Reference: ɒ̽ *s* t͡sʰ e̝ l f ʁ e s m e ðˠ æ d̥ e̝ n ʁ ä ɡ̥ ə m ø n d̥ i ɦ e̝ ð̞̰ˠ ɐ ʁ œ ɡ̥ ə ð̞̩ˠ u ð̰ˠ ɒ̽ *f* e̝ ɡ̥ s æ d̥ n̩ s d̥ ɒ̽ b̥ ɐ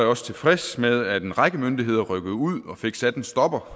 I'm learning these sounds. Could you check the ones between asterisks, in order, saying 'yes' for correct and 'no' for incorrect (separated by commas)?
yes, yes